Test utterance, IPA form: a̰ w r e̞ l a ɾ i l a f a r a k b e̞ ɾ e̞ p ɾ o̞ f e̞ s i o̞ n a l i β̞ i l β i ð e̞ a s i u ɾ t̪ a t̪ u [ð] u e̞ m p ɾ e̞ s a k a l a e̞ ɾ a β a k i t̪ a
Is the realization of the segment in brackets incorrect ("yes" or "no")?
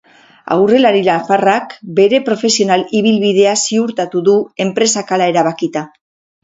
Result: no